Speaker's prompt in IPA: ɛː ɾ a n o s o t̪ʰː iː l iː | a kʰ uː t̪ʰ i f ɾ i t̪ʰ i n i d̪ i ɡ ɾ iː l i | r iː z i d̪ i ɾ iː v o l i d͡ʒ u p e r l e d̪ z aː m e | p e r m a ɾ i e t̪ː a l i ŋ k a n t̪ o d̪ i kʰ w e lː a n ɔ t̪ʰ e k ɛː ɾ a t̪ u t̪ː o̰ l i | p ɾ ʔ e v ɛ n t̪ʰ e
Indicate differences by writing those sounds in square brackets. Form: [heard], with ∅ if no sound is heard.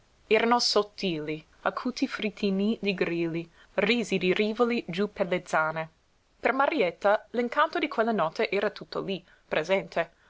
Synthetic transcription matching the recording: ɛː ɾ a n o s o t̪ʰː iː l [i] | a kʰ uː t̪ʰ i f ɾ i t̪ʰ i n i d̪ i ɡ ɾ iː l i | r iː z i d̪ i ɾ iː v o l i d͡ʒ u p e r l e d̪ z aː [n] e | p e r m a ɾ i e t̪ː a l i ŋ k a n t̪ o d̪ i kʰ w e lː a n ɔ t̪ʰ e [ʔ] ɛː ɾ a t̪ u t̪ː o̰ l i | p ɾ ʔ e [z] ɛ n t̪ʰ e